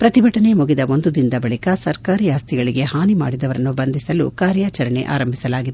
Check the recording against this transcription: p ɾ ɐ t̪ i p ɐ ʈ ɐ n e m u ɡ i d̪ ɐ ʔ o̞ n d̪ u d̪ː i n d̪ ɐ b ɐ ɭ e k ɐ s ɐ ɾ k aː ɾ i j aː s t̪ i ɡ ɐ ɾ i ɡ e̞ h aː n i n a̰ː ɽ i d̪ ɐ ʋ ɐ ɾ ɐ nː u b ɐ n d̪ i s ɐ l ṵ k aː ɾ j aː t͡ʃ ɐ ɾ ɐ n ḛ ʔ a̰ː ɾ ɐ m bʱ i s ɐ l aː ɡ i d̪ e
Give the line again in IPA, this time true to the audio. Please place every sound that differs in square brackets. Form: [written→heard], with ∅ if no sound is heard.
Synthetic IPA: p ɾ ɐ t̪ i [p→b] ɐ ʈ ɐ n e m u ɡ i d̪ ɐ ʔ o̞ n d̪ u [d̪ː→d̪] i n d̪ ɐ b ɐ ɭ [e→i] k ɐ s ɐ ɾ k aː ɾ i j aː s t̪ i ɡ ɐ [ɾ→ɭ] i ɡ e̞ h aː n i [n→m] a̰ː ɽ i d̪ ɐ ʋ ɐ ɾ ɐ nː u b ɐ n d̪ i s ɐ l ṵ k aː ɾ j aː t͡ʃ ɐ ɾ ɐ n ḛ ʔ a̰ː ɾ ɐ m bʱ i s ɐ l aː ɡ i d̪ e